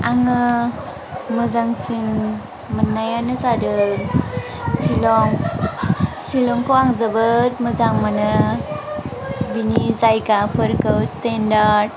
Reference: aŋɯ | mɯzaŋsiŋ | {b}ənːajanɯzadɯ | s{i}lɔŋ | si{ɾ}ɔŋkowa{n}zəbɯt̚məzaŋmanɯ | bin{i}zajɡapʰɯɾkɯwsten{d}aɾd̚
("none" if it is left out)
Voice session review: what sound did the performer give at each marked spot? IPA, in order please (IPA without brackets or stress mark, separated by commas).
m, i, l, ŋ, i, d